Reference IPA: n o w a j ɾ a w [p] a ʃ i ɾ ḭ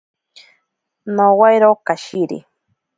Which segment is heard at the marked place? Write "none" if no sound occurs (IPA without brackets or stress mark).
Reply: k